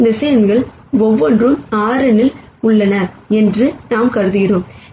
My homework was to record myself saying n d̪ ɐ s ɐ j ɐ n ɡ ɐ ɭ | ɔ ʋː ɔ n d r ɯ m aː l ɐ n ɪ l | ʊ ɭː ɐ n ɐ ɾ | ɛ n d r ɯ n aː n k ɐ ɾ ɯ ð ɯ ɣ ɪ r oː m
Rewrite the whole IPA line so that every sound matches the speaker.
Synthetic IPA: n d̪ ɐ s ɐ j ɐ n ɡ ɐ ɭ | ɔ ʋː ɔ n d r ɯ m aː ɾ ɐ n ɪ l | ʊ ɭː ɐ n ɐ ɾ | ɛ n d r ɯ n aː m k ɐ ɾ ɯ ð ɯ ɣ ɪ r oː m